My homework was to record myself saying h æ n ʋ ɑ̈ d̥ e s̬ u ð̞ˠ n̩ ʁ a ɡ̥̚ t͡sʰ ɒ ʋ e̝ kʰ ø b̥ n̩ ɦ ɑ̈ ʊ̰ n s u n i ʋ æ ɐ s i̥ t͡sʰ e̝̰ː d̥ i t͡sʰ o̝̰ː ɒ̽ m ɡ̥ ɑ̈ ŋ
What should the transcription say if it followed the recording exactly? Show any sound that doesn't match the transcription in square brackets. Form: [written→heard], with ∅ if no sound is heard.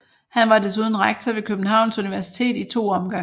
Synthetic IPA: h æ n ʋ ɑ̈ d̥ e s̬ u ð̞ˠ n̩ ʁ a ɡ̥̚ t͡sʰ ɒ ʋ e̝ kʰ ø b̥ n̩ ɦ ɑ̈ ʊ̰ n s u n i ʋ æ ɐ s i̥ t͡sʰ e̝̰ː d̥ i t͡sʰ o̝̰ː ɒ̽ m ɡ̥ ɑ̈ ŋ